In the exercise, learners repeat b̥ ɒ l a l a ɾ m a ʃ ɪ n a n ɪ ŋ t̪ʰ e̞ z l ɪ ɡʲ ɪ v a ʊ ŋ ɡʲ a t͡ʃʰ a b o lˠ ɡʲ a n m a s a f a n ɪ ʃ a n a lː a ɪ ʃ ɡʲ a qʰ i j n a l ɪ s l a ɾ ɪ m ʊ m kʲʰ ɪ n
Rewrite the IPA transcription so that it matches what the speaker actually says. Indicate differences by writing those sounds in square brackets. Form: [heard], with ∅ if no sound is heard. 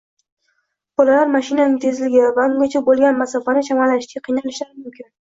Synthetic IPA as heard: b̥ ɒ l a l a ɾ m a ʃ ɪ n a n ɪ ŋ t̪ʰ e̞ z l ɪ ɡʲ ɪ v a ʊ ŋ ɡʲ a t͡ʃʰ a b o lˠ ɡʲ a n m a s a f a n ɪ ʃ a [m] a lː a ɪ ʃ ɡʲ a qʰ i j n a l ɪ [ʃ] l a ɾ ɪ m ʊ m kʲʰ ɪ n